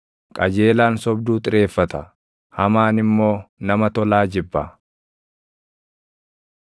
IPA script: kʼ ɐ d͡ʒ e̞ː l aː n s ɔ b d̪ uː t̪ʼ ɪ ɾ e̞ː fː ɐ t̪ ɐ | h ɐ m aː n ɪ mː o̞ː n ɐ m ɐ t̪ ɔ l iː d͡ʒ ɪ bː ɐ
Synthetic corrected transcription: kʼ ɐ d͡ʒ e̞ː l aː n s ɔ b d̪ uː t̪ʼ ɪ ɾ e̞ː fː ɐ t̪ ɐ | h ɐ m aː n ɪ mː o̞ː n ɐ m ɐ t̪ ɔ l aː d͡ʒ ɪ bː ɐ